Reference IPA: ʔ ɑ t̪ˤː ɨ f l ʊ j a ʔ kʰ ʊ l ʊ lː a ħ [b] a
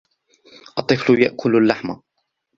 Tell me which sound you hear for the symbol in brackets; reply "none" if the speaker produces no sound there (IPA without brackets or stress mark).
m